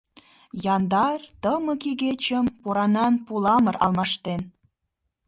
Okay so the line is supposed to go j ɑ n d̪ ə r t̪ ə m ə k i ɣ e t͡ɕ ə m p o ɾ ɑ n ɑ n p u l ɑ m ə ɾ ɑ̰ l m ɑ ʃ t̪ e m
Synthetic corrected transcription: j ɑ n d̪ ɑ r t̪ ə m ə k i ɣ e t͡ɕ ə m p o ɾ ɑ n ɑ n p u l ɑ m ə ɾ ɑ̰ l m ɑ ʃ t̪ e n